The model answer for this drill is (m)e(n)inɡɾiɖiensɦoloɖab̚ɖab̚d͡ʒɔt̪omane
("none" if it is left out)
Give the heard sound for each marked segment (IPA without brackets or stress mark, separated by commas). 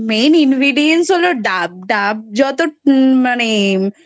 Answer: m, n